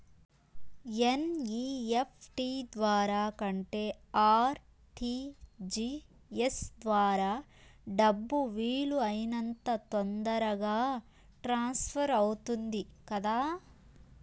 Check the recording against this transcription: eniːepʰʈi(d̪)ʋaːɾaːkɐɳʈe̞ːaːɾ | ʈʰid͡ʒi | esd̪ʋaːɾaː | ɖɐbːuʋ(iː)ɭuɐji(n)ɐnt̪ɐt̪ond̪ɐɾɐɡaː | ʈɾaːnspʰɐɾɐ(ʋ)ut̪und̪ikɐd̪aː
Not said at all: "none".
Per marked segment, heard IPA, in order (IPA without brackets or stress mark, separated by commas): d̪, iː, n, w